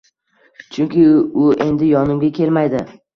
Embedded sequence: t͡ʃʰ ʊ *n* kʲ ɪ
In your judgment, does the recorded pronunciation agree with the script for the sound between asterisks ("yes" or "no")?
no